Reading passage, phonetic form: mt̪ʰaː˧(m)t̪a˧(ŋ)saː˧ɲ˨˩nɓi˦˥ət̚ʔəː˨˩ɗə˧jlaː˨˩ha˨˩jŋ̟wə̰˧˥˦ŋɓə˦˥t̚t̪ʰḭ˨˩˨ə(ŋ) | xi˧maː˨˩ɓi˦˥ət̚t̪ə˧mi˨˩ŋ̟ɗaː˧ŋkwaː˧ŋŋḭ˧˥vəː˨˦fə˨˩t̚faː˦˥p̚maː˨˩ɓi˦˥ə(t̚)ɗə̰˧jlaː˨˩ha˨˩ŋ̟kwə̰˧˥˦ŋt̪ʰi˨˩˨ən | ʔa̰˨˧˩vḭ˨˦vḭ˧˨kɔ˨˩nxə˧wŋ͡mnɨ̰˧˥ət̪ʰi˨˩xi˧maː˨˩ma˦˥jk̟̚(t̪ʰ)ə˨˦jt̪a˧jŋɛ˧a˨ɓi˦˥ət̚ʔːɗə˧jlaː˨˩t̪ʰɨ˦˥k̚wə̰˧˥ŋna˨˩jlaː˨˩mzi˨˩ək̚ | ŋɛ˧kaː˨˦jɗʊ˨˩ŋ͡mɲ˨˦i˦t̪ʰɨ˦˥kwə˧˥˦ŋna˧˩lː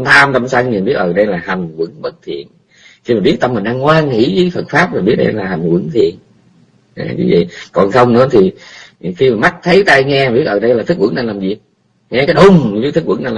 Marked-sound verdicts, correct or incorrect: correct, incorrect: m, incorrect: n, correct, correct

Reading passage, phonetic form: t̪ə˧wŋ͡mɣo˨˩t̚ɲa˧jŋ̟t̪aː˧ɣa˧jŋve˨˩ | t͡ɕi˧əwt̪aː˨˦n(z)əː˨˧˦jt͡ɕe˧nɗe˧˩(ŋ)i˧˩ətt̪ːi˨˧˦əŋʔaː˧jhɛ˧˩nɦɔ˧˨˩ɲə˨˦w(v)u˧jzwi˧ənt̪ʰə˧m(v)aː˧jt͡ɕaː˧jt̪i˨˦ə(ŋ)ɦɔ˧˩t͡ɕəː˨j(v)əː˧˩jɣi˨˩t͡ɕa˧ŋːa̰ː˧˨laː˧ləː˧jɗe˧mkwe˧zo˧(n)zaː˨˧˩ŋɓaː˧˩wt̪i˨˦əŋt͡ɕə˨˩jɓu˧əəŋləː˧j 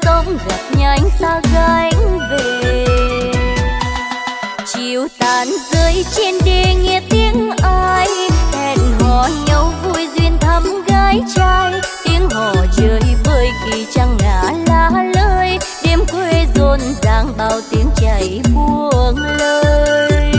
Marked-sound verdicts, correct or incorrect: correct, correct, correct, incorrect: ɣ, correct, correct, correct

